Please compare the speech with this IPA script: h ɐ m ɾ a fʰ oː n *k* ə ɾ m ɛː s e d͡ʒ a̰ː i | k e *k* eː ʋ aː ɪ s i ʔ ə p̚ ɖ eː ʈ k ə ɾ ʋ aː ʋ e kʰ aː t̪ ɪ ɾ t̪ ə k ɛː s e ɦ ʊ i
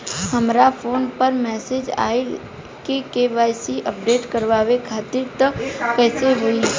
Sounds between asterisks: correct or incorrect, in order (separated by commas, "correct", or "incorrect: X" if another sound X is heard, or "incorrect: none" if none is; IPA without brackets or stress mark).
incorrect: p, correct